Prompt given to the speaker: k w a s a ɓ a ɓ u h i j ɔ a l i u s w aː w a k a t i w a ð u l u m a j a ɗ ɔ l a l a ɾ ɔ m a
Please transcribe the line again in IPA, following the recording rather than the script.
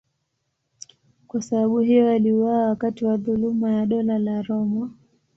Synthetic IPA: k w a s a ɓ a ɓ u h i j ɔ a l i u w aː w a k a t i w a ð u l u m a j a ɗ ɔ l a l a ɾ ɔ m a